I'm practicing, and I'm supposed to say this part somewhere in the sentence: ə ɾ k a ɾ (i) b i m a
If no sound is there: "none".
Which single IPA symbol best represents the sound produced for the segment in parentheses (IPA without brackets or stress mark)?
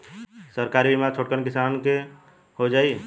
i